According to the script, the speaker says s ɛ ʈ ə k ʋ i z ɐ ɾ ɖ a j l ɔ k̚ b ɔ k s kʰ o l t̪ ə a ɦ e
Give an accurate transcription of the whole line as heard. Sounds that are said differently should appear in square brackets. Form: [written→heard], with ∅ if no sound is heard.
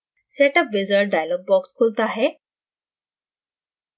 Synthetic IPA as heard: s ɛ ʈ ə [k→p] ʋ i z [ɐ→ə] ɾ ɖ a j l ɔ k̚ b ɔ k s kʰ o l t̪ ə a ɦ e

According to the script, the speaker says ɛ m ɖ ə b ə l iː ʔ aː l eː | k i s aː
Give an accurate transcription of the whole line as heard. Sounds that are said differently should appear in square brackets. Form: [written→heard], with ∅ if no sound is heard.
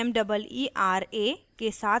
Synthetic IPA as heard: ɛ m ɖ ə b ə l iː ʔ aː [l→ɾ] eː | k [i→e] s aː

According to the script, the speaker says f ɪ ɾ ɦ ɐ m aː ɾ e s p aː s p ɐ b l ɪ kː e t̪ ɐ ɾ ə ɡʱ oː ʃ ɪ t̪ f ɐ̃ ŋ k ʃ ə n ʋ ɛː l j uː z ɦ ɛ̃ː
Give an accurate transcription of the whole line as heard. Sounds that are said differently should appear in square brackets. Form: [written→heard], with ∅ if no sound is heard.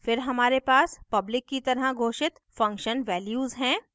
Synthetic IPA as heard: f ɪ ɾ ɦ ɐ m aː ɾ e [s→∅] p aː s p ɐ b l ɪ kː [e→i] t̪ ɐ ɾ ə ɡʱ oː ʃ ɪ t̪ f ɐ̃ ŋ k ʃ ə n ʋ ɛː l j uː z ɦ ɛ̃ː

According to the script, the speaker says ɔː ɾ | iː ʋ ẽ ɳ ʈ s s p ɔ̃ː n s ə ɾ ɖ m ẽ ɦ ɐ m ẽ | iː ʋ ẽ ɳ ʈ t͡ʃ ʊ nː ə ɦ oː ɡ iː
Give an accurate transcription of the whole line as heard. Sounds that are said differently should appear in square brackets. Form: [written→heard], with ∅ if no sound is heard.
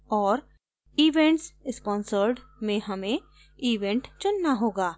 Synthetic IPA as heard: ɔː ɾ | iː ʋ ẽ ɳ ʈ s s p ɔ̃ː n s ə ɾ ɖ m ẽ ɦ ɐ m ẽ | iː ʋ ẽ ɳ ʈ t͡ʃ ʊ nː [ə→a] ɦ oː ɡ [iː→aː]

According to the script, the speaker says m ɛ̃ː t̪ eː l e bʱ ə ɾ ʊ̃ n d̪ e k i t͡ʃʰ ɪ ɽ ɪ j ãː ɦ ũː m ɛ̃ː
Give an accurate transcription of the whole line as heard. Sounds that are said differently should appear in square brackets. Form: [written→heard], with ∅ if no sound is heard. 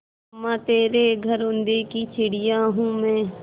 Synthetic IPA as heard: m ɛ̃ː t̪ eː [l→ɾ] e [bʱ→ɡʱ] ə ɾ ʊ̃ n d̪ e k i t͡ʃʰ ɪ ɽ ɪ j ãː ɦ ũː m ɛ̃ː

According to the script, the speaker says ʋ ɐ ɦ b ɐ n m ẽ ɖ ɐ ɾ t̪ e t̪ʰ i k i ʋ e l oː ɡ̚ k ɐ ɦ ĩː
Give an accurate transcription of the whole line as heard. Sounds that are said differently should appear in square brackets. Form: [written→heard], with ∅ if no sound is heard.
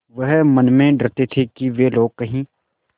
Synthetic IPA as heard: ʋ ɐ ɦ [b→m] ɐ n m ẽ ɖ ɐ ɾ t̪ e t̪ʰ [i→e] k i ʋ e l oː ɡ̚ k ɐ ɦ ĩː

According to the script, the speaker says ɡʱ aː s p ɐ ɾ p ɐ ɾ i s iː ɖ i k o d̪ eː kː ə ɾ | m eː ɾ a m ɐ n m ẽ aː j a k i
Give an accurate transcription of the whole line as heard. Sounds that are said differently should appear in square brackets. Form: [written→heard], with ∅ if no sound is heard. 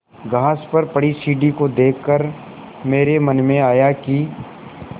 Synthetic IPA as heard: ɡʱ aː s p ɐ ɾ p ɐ [ɾ→ɽ] i s iː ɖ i k o d̪ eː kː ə ɾ | m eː ɾ [a→e] m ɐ n m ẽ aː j a k i

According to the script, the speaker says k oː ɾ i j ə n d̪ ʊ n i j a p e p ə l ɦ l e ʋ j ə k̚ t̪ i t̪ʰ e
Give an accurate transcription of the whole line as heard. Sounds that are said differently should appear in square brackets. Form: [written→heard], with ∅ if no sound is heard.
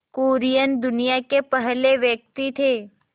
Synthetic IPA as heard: k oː ɾ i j ə n d̪ ʊ n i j a [p→k] e p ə [l→∅] ɦ l e ʋ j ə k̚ t̪ i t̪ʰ e

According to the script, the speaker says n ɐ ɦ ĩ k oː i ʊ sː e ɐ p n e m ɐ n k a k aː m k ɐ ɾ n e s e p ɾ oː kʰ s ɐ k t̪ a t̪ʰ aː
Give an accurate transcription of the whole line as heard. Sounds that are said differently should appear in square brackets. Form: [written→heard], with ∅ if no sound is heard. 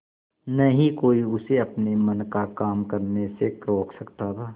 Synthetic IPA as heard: n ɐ ɦ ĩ k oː i ʊ [sː→s] e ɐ p n e m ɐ n k a k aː m k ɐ ɾ n e s e [p→k] ɾ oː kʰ s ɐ k t̪ a t̪ʰ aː

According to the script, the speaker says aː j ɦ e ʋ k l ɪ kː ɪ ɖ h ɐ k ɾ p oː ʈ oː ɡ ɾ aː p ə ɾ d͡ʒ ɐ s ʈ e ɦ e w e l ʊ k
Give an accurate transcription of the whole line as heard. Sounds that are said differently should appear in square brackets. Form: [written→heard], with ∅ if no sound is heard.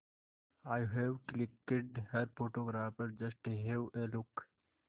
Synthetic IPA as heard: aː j ɦ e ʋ k l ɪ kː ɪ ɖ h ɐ [k→∅] ɾ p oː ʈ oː ɡ ɾ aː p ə ɾ d͡ʒ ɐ s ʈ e ɦ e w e l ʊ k

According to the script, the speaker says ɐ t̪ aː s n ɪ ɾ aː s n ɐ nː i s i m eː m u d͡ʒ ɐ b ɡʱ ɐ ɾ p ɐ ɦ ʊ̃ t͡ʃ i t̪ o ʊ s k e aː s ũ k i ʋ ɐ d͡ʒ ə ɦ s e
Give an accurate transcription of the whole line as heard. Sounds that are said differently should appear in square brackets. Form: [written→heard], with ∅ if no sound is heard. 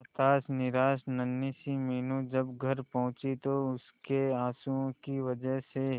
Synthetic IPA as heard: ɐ t̪ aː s n ɪ ɾ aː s n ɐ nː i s i m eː [m→n] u d͡ʒ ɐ b ɡʱ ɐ ɾ p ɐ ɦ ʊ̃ t͡ʃ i t̪ o ʊ s k e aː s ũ k i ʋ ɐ d͡ʒ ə ɦ s e

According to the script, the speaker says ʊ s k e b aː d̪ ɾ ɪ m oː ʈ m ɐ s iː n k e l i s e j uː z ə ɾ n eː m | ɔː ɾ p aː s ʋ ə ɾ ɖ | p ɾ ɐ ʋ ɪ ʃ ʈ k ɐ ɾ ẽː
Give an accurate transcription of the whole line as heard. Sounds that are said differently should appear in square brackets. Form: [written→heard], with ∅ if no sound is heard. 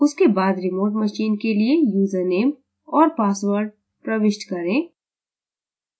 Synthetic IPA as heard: ʊ s k e b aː d̪ ɾ ɪ m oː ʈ m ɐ [s→ʃ] iː n k e l i [s→∅] e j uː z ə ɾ n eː m | ɔː ɾ p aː s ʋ ə ɾ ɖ | p ɾ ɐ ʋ ɪ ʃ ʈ k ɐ ɾ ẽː

